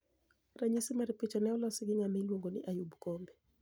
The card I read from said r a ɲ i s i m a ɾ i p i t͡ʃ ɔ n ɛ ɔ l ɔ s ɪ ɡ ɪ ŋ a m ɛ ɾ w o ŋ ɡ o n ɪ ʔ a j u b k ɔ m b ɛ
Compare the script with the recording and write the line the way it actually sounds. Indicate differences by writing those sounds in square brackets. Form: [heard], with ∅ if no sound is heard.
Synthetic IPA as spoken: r a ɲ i s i m a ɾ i p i t͡ʃ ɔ n ɛ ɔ l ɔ s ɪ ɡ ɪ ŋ a m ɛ [l] w o ŋ ɡ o n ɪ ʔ a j u b k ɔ m b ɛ